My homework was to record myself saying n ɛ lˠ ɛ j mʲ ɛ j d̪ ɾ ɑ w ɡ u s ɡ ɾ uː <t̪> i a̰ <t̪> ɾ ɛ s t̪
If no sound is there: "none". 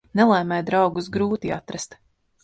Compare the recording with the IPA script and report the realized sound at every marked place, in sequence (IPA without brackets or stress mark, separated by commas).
t̪, t̪